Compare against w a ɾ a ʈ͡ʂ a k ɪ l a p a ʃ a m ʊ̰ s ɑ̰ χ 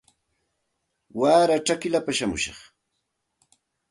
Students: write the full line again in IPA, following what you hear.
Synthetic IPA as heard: w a ɾ a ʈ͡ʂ a k ɪ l a p a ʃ a m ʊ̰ ʃ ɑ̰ χ